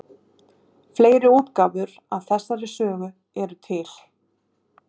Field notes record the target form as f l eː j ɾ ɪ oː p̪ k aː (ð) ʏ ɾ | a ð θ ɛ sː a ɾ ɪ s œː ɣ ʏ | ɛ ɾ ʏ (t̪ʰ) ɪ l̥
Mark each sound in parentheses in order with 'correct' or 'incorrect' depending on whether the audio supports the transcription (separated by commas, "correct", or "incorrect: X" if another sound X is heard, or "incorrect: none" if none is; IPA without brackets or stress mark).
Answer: incorrect: v, correct